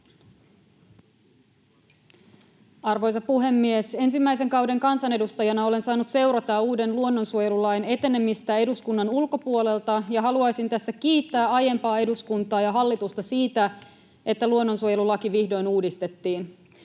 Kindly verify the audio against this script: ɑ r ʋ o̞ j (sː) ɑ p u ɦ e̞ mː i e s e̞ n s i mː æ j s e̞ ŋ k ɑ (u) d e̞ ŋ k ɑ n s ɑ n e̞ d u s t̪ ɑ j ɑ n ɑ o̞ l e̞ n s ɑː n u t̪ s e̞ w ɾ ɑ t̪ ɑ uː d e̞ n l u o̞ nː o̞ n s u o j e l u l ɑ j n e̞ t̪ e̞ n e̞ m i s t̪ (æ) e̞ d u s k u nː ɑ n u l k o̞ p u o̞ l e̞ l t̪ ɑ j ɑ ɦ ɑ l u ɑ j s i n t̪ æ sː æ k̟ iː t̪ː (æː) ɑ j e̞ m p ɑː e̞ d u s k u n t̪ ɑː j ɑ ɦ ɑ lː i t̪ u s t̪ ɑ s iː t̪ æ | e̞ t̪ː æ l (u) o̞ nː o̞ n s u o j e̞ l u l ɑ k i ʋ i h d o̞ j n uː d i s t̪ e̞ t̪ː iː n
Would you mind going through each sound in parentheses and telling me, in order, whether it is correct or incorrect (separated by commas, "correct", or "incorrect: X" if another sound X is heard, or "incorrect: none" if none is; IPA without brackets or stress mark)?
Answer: incorrect: s, incorrect: w, correct, correct, correct